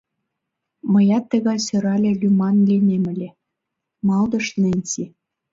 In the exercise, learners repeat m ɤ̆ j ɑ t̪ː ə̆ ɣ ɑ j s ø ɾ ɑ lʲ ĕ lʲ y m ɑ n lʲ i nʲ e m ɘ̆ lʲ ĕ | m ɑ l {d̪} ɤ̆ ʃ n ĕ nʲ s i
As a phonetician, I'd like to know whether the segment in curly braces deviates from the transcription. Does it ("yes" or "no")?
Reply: no